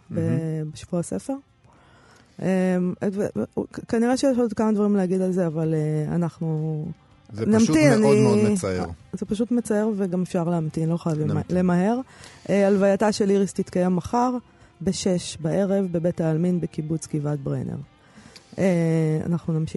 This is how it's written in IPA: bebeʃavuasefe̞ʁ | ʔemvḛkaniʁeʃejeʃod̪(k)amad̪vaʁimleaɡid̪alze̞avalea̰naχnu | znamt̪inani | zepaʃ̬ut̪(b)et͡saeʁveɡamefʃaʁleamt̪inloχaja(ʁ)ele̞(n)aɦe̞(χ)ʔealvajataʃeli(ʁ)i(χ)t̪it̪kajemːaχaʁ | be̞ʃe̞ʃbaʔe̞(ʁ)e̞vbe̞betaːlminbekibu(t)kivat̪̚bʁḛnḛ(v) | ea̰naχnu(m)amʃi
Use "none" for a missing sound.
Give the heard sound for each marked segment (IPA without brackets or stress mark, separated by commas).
k, m, v, m, ʁ, ʁ, s, ʁ, t͡s, ʁ, n